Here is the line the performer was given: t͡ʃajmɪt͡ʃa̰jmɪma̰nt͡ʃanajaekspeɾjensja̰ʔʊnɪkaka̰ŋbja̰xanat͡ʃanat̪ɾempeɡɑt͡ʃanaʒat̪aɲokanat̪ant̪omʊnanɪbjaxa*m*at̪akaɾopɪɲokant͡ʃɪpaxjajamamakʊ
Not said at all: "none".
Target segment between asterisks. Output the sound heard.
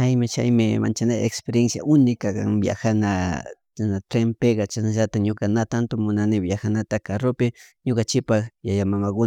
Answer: n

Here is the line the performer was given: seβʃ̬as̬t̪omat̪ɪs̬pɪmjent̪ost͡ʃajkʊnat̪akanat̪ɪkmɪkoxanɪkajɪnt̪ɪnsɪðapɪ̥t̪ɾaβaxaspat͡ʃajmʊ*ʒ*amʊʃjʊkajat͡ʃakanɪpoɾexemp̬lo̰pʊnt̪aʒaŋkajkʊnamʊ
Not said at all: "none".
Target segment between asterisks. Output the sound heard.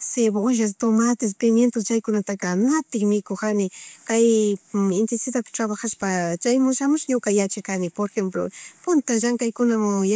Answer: ʃ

